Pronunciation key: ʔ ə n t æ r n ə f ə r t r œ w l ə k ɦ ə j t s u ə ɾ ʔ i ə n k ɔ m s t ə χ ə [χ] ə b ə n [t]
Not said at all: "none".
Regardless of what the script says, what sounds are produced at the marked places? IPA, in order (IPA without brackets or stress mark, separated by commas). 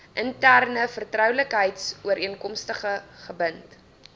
χ, t